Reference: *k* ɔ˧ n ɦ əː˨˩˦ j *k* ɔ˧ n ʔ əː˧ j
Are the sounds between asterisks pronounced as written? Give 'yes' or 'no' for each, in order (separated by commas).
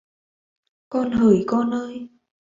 yes, yes